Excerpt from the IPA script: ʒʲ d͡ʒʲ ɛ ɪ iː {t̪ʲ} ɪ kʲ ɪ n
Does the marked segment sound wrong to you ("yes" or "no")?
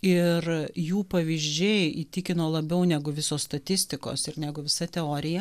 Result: no